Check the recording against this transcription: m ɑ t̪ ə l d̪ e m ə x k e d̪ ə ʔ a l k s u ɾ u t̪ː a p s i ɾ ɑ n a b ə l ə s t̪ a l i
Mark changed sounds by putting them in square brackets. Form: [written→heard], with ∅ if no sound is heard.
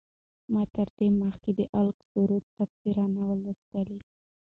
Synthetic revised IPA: m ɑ t̪ ə [l→ɾ] d̪ e m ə x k e d̪ ə ʔ a l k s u ɾ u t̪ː a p s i ɾ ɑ n a [b→w] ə l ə s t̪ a l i